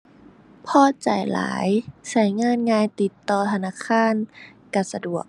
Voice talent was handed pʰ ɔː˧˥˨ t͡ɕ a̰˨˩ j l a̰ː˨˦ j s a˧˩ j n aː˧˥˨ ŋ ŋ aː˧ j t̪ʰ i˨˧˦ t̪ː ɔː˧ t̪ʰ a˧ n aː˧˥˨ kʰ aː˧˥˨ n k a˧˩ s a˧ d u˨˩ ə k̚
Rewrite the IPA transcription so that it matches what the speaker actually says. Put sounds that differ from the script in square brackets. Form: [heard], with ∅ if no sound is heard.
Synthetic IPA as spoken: pʰ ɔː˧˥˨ t͡ɕ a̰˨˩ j l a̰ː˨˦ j s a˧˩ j [ŋ] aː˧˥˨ [n] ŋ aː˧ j [t̪] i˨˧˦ t̪ː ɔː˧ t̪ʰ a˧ n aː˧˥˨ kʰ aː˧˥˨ n k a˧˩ s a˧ d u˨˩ ə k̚